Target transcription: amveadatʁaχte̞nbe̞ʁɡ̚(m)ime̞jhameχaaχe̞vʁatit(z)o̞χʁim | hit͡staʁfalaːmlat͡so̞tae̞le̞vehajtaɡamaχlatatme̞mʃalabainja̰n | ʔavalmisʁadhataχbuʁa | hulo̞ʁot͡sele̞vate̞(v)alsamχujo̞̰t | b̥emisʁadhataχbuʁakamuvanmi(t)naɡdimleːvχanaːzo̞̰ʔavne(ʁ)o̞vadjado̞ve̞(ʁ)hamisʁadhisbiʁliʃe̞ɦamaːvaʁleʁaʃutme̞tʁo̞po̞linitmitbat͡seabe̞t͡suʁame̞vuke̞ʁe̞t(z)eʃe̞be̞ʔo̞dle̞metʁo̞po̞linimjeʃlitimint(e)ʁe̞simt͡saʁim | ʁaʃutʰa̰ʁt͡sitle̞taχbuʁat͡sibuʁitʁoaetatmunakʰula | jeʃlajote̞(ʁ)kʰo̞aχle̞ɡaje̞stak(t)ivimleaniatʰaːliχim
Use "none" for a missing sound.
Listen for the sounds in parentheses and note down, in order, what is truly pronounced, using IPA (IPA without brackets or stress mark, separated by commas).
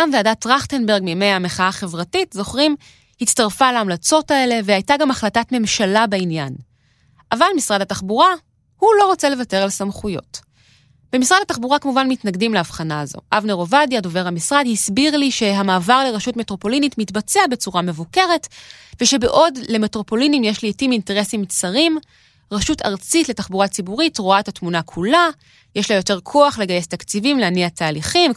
m, z, ʁ, t, ʁ, ʁ, v, e, ʁ, t͡s